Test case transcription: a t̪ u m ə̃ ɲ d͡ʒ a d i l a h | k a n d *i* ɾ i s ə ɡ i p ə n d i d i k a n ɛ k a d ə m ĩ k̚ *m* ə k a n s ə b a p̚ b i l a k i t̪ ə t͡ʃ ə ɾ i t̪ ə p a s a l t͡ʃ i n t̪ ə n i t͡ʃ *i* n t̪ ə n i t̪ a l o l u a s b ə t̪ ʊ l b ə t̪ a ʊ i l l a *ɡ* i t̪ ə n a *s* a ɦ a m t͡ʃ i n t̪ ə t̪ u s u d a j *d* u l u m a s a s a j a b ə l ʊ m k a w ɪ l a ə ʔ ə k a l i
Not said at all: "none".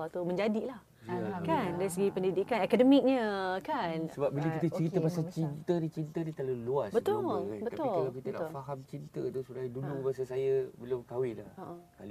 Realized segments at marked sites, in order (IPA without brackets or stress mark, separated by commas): a, ɲ, i, k, f, d